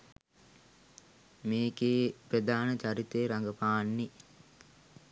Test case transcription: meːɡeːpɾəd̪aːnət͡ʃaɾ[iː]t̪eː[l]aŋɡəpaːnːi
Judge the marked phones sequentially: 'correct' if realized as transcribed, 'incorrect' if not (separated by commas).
incorrect, incorrect